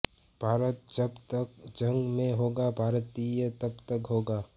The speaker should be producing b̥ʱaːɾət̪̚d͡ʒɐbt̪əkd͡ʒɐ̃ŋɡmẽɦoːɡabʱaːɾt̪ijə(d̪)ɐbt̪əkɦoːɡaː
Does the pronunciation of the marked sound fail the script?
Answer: yes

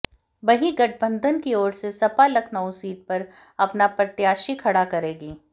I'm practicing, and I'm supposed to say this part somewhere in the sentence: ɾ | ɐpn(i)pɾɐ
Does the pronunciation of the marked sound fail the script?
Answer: yes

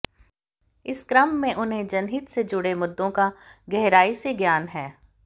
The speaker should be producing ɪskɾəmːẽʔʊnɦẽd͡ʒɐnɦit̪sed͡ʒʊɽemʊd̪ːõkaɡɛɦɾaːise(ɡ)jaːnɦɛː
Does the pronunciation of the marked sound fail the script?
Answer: no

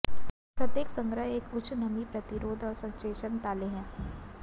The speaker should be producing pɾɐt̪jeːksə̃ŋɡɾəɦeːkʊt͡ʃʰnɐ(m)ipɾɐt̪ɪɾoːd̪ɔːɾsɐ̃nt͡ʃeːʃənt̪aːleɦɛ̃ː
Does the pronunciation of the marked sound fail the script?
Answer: no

